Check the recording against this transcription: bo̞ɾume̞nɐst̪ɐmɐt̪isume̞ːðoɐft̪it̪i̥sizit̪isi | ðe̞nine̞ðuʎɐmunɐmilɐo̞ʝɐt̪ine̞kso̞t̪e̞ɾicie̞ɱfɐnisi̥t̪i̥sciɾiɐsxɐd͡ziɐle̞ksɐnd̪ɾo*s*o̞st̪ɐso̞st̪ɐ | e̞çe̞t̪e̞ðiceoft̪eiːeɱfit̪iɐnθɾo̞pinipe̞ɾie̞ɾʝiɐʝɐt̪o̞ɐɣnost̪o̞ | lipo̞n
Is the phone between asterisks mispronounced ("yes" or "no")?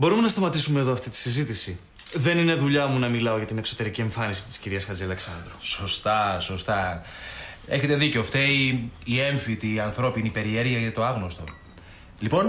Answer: no